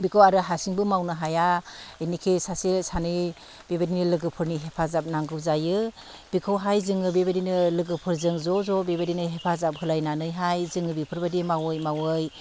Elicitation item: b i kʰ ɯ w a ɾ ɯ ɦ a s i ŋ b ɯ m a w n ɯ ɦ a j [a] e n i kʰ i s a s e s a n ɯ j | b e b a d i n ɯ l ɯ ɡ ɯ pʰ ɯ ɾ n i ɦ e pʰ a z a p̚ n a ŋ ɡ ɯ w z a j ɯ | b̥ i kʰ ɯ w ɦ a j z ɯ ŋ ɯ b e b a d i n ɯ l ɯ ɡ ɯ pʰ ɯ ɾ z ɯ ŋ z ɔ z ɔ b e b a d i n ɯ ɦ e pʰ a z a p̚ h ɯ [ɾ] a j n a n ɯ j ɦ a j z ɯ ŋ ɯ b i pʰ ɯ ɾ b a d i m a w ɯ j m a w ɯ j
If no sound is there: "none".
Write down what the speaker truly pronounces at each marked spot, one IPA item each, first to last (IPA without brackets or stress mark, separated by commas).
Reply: a, l